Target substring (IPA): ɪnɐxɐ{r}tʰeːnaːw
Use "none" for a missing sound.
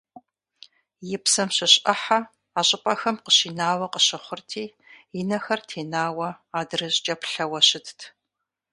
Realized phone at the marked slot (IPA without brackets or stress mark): r